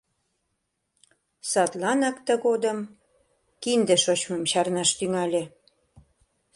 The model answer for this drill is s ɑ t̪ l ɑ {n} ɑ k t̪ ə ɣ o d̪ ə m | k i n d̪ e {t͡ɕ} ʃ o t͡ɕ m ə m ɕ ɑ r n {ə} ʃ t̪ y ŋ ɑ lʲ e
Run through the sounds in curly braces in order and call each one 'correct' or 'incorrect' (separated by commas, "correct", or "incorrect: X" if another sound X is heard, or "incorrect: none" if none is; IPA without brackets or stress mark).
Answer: correct, incorrect: none, incorrect: ɑ